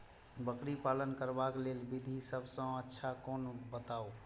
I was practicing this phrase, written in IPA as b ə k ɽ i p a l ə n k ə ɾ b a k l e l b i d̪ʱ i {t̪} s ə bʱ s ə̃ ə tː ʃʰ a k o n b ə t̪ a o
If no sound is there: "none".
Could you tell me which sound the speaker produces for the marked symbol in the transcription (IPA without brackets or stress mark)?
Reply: none